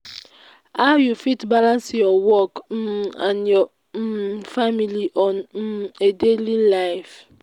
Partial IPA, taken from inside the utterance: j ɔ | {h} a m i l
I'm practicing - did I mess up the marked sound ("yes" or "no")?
yes